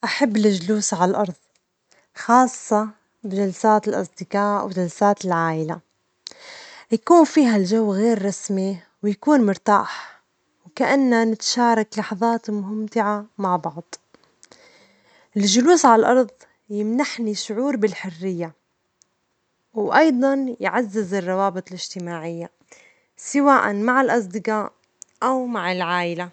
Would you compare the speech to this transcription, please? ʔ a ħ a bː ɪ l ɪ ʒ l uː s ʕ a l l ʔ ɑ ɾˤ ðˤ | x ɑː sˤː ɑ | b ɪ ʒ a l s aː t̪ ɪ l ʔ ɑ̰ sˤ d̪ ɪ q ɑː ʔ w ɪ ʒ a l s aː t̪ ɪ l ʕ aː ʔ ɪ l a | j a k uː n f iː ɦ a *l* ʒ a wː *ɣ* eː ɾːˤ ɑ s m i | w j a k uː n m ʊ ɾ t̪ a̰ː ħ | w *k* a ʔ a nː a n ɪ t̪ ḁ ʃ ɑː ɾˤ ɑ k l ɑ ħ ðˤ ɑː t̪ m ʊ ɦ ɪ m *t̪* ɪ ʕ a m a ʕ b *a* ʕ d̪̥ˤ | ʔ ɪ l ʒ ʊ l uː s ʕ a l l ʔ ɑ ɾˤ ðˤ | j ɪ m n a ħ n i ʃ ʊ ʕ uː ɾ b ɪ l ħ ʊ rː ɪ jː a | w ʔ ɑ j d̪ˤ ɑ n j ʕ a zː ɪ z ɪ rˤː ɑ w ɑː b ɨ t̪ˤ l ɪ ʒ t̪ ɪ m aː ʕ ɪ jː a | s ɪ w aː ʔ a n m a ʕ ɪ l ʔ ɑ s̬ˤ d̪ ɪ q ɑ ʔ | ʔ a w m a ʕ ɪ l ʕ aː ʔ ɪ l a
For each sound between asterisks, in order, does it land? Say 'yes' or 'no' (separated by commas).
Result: yes, yes, yes, yes, no